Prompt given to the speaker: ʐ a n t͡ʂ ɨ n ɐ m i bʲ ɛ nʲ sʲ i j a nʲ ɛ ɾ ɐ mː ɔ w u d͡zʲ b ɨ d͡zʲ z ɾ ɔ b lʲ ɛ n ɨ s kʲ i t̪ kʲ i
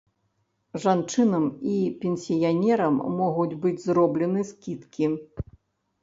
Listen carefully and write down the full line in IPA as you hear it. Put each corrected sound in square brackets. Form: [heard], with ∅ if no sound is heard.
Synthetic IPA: ʐ a n t͡ʂ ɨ n ɐ m i [pʲ] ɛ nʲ sʲ i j a nʲ ɛ ɾ ɐ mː ɔ [ɣ] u d͡zʲ b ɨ d͡zʲ z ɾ ɔ b lʲ ɛ n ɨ s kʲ i t̪ kʲ i